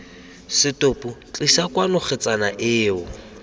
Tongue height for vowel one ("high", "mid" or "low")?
high